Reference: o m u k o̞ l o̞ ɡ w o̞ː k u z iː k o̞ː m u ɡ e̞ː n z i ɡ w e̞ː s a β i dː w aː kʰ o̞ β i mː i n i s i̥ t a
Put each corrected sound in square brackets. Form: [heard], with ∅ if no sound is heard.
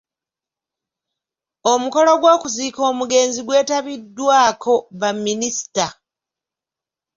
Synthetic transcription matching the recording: o m u k o̞ l o̞ ɡ w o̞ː k u z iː k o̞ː m u ɡ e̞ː n z i ɡ w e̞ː [t] a β i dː w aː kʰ o̞ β [a] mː i n i s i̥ t a